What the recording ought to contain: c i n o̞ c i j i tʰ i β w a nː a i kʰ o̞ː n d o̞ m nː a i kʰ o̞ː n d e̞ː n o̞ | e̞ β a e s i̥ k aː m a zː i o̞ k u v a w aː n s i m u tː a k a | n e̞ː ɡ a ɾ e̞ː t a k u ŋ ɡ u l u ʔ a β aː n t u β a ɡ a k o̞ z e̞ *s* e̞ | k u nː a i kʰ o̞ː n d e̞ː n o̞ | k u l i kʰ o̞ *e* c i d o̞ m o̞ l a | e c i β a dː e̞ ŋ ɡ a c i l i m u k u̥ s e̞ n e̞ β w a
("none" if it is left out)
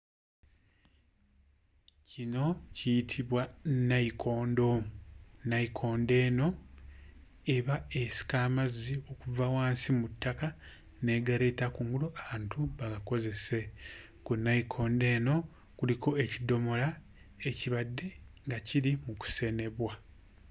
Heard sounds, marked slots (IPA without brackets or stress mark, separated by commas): s, e